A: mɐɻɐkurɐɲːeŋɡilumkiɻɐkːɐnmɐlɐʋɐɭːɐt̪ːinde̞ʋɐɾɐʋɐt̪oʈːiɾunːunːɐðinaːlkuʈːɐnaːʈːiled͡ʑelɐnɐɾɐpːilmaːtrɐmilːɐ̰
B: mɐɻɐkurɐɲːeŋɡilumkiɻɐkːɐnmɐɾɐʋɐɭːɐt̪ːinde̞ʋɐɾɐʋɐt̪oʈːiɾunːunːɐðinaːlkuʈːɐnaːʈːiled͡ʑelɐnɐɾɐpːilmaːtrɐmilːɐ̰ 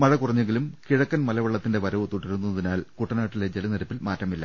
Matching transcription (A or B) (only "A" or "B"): A